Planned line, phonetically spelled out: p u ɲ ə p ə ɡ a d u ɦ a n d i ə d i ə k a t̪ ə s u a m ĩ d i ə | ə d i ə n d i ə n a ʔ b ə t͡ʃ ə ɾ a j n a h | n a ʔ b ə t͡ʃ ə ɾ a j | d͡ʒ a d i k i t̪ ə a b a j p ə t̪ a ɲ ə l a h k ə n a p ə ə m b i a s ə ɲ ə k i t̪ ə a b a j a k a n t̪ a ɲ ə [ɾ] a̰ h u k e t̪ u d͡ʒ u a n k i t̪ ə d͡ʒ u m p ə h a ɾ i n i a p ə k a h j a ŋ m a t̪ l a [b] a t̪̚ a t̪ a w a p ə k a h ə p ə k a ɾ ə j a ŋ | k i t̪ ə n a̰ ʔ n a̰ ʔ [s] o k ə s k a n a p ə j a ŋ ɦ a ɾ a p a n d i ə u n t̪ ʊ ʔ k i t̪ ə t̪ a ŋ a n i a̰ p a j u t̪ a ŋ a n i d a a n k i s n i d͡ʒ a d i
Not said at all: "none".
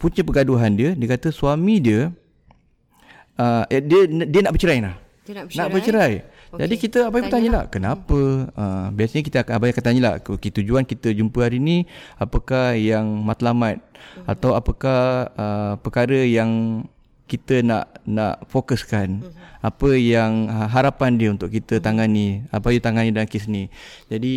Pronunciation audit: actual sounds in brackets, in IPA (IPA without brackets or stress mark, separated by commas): l, m, f